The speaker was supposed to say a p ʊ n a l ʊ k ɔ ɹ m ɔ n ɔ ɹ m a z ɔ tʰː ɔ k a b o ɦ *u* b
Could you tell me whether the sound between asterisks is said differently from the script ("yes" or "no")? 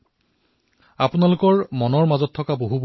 no